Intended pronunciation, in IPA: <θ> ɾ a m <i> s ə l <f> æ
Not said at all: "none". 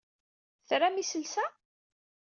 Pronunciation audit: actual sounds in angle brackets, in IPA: θ, i, s

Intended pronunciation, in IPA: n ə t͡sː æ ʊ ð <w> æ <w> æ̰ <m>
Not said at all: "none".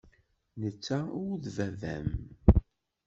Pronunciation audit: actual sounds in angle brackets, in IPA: v, v, m

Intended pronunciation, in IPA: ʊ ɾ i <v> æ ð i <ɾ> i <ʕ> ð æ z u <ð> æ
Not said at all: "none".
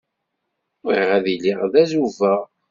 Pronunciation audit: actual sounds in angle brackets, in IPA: ʁ, l, ʁ, v

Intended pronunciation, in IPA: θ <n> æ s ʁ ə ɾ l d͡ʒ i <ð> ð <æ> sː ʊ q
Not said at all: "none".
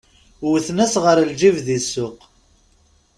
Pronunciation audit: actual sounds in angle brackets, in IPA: n, v, i

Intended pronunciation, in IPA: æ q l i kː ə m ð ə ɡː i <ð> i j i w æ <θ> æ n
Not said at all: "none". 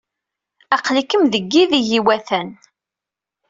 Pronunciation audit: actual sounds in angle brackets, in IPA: ð, θ

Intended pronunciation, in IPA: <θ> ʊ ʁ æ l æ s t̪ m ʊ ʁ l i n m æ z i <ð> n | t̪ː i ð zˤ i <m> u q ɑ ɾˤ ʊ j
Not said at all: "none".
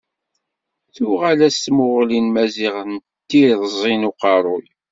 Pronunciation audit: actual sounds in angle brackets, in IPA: θ, ʁ, n

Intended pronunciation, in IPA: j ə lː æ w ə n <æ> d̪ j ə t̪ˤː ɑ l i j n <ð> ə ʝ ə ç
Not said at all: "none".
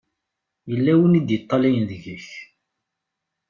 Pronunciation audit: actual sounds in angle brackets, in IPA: i, ð

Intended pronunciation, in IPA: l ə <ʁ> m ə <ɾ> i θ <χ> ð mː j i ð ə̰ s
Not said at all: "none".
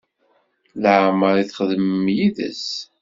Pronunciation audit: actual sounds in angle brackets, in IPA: ʕ, ɾ, χ

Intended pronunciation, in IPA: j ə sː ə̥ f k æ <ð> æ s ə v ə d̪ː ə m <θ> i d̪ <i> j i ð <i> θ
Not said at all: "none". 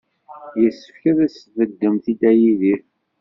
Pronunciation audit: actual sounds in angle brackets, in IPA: ð, θ, æ, i

